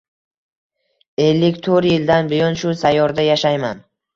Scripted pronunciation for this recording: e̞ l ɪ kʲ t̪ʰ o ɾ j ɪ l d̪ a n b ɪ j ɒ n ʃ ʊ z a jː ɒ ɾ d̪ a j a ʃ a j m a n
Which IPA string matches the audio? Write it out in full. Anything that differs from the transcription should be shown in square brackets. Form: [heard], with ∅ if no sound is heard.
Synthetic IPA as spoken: e̞ [lː] ɪ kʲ t̪ʰ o ɾ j ɪ l d̪ a n b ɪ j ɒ n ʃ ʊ [s] a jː ɒ ɾ d̪ a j a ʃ a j m a n